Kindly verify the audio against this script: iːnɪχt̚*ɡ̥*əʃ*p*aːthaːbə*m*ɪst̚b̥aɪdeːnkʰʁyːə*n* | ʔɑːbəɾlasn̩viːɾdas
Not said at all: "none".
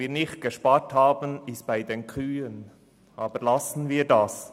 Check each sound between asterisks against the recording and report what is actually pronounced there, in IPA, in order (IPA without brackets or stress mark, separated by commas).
ɡ̥, p, n, n